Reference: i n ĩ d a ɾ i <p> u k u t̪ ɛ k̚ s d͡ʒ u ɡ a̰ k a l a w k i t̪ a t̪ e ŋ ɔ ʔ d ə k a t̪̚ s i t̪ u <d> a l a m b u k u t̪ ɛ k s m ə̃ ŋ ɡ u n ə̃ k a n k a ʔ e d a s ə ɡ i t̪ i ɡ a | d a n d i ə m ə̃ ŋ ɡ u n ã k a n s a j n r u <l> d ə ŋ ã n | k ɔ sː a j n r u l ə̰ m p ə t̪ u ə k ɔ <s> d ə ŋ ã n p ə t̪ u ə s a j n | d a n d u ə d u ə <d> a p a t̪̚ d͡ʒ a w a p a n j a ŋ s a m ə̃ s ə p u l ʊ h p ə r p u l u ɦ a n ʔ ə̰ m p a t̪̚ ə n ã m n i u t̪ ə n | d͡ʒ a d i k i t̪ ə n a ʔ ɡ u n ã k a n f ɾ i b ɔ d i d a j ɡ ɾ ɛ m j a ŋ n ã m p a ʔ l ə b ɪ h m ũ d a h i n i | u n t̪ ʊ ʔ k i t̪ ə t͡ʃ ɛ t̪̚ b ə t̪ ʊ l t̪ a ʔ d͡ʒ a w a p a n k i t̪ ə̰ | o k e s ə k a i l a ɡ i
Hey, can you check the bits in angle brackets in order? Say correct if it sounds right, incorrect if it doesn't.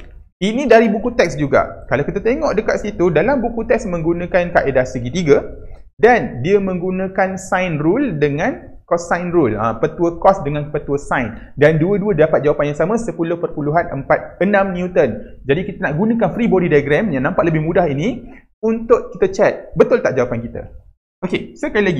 incorrect: b, correct, correct, correct, correct

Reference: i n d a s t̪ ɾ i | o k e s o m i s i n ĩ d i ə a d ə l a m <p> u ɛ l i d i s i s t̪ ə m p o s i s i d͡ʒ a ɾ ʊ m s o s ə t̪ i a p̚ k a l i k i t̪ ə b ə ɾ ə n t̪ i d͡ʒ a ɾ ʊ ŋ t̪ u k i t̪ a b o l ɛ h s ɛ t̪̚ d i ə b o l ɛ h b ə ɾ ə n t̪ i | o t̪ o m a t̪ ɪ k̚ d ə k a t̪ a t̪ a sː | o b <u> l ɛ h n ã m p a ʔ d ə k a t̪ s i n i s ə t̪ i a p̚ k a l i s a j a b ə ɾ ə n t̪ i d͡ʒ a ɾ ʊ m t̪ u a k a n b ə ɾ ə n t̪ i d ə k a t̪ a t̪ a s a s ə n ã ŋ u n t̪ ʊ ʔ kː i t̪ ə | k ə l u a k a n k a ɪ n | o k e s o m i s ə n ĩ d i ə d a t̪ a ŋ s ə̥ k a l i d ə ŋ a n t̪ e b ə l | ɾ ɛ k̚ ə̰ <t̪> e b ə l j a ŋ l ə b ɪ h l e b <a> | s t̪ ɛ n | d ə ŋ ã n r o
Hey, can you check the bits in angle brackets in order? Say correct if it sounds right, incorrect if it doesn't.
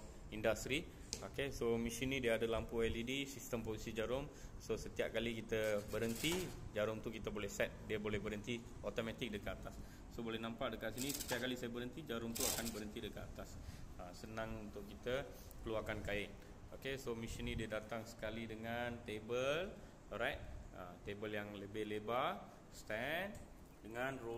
correct, incorrect: o, correct, correct

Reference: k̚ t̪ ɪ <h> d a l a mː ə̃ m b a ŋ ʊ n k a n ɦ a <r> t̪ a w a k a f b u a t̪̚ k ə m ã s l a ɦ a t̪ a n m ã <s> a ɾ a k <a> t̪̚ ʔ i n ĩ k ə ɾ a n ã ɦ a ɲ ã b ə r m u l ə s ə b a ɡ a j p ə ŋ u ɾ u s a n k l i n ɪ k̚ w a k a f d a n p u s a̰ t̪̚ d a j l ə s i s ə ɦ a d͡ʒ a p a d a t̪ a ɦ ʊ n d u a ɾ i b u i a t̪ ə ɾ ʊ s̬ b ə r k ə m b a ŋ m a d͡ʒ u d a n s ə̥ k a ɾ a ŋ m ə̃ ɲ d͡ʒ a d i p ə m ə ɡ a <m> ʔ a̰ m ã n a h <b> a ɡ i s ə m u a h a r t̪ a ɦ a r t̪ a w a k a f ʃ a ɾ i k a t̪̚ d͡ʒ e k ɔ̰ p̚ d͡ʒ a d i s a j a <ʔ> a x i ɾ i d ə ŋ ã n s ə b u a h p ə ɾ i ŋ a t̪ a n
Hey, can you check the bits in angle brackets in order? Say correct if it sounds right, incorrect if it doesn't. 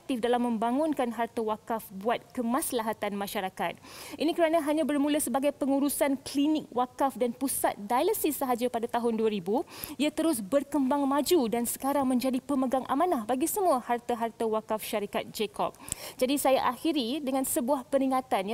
incorrect: f, correct, incorrect: ʃ, correct, incorrect: ŋ, correct, correct

